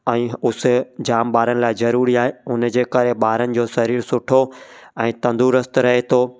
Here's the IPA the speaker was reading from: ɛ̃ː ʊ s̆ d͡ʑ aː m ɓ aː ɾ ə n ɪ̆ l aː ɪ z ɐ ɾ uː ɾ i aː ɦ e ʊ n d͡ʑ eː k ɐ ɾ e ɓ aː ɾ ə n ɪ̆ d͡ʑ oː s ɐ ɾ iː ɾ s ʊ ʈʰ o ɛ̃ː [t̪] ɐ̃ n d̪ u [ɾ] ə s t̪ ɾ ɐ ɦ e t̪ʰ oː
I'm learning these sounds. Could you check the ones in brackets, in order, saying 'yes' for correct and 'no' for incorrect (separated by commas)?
yes, yes